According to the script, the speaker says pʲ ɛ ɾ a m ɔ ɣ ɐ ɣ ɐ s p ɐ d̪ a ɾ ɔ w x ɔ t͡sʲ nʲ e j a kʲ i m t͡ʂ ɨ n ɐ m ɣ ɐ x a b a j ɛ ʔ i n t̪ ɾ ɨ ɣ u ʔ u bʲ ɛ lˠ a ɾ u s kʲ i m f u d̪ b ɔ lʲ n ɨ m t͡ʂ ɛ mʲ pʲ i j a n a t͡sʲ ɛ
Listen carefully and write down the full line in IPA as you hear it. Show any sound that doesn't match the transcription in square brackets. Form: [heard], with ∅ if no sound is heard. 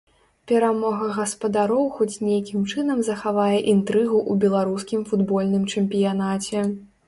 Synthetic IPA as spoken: pʲ ɛ ɾ a m ɔ ɣ ɐ ɣ ɐ s p ɐ d̪ a ɾ ɔ w x ɔ t͡sʲ nʲ e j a kʲ i m t͡ʂ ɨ n ɐ m [z] ɐ x a [v] a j ɛ ʔ i n t̪ ɾ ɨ ɣ u ʔ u bʲ ɛ lˠ a ɾ u s kʲ i m f u d̪ b ɔ lʲ n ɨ m t͡ʂ ɛ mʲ pʲ i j a n a t͡sʲ ɛ